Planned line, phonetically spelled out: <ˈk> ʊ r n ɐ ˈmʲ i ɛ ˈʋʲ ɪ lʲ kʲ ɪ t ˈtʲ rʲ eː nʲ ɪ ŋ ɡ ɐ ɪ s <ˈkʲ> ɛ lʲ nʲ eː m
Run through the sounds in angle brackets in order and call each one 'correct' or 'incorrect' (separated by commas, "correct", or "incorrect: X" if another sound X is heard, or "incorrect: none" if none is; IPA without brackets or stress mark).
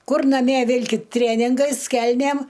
correct, correct